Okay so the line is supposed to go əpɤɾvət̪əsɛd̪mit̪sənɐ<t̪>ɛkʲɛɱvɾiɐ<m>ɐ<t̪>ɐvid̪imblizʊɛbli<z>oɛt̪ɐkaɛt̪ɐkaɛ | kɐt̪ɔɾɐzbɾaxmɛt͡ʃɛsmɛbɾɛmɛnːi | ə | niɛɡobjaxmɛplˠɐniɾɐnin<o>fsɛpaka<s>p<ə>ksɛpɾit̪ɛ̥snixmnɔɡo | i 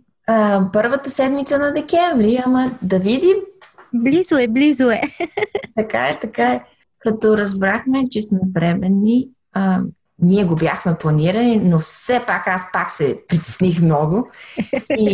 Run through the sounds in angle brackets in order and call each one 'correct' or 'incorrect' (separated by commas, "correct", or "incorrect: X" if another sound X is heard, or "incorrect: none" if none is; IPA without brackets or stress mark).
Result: incorrect: d̪, correct, incorrect: d̪, correct, correct, correct, incorrect: a